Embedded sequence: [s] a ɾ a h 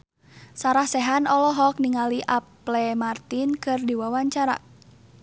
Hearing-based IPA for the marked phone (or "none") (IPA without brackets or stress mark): s